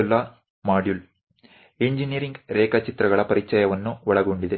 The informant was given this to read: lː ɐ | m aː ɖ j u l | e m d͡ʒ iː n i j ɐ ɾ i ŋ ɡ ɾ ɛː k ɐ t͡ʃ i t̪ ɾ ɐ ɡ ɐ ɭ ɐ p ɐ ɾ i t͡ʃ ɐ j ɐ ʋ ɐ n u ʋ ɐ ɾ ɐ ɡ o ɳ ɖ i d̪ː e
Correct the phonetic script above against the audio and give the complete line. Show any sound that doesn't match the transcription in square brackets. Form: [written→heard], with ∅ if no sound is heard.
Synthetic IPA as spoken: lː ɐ | m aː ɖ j u l | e [m→ɲ] d͡ʒ [iː→i] n i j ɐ ɾ i ŋ ɡ ɾ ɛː k ɐ t͡ʃ i t̪ ɾ ɐ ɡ ɐ ɭ ɐ p ɐ ɾ i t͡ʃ ɐ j ɐ ʋ ɐ [n→nː] u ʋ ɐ [ɾ→ɭ] ɐ ɡ o ɳ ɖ i [d̪ː→d̪] e